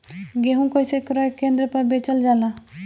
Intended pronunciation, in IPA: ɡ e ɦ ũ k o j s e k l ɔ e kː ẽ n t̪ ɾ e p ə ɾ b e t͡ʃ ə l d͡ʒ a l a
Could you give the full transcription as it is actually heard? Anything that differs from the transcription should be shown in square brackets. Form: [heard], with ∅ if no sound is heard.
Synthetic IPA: ɡ e ɦ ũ k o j s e k [ɾ] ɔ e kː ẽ n [d̪] ɾ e p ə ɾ b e t͡ʃ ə l d͡ʒ a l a